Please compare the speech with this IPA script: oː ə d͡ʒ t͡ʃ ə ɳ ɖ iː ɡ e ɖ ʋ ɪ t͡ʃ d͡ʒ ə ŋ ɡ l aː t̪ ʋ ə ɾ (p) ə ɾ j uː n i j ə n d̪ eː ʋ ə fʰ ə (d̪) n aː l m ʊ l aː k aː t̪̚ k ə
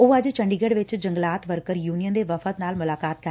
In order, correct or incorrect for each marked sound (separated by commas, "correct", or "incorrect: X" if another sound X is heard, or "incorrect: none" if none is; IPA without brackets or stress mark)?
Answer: incorrect: k, incorrect: t̪